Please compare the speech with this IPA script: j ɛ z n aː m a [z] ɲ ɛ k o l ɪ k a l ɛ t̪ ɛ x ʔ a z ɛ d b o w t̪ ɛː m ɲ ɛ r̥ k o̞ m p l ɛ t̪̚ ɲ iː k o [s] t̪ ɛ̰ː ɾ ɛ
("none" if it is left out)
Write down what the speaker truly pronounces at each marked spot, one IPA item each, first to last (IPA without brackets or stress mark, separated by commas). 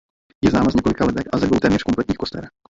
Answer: z, s